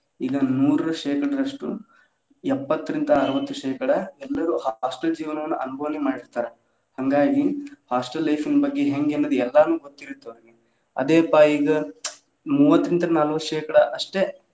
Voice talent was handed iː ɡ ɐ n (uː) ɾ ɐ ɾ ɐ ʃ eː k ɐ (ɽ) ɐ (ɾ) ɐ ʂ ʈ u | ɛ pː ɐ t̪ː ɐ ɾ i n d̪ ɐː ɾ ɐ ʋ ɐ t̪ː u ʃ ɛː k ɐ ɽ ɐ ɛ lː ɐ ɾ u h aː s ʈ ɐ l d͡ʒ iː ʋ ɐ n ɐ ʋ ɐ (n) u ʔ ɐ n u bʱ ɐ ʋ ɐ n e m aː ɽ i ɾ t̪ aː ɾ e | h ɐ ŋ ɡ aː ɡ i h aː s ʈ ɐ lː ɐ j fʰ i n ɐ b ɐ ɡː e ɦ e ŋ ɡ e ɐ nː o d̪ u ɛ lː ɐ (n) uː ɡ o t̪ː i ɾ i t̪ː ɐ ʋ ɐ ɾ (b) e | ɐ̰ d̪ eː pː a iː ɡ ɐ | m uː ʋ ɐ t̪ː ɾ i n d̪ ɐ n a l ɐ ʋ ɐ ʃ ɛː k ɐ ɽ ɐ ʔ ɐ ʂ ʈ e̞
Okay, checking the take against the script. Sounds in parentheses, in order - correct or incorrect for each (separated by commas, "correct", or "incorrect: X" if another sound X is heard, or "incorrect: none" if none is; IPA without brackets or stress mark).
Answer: correct, correct, correct, incorrect: nː, correct, incorrect: ɡ